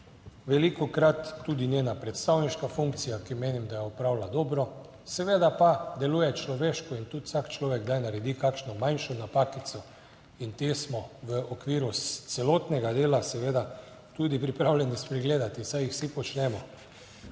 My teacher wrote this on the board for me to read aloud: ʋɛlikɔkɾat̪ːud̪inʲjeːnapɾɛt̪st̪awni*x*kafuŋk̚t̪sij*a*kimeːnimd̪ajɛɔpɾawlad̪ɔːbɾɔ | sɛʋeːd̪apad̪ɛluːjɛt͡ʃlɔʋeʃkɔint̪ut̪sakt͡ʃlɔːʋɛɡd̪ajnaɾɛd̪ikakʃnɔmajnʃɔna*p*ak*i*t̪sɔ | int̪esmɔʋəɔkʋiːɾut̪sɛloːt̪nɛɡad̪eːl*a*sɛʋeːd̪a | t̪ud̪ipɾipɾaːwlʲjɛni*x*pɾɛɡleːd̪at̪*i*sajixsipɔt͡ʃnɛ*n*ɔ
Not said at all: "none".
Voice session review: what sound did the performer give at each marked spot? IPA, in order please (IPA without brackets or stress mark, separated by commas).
ʃ, a, p, i, a, s, i, m